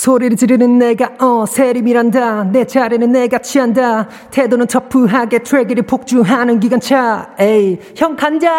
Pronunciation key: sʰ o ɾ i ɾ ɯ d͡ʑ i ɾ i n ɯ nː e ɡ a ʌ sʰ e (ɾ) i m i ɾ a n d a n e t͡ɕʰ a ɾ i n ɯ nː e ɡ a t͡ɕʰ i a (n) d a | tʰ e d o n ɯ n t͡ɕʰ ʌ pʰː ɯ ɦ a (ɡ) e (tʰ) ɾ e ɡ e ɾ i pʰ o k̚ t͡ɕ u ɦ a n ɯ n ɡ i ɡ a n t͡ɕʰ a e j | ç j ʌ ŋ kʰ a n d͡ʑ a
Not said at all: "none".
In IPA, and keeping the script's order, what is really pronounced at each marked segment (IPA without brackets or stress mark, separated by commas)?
ɾ, n, ɡ, tʰ